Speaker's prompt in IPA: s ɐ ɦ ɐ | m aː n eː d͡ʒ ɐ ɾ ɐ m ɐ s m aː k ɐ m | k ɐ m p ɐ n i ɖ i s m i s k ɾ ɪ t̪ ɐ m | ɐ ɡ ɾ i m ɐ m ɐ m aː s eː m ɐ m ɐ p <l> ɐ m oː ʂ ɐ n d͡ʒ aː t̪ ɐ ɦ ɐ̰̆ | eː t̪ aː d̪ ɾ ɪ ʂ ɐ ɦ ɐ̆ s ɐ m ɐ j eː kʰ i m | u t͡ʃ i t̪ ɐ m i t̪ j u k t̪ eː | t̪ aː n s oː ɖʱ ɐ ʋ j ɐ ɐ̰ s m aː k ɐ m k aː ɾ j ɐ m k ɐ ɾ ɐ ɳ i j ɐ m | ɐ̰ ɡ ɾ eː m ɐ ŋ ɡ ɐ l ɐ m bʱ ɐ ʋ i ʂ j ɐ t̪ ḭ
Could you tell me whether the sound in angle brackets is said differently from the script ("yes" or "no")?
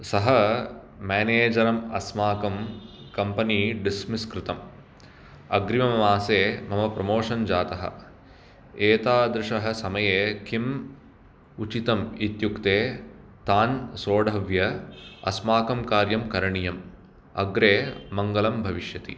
yes